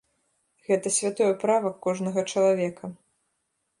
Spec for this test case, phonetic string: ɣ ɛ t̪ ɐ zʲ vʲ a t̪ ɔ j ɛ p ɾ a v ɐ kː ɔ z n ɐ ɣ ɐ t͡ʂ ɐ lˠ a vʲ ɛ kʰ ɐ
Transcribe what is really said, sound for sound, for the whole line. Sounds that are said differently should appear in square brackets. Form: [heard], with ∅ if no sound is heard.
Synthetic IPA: ɣ ɛ t̪ ɐ [sʲ] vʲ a t̪ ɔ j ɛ p ɾ a v ɐ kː ɔ [ʐ] n ɐ ɣ ɐ t͡ʂ ɐ lˠ a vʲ ɛ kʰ ɐ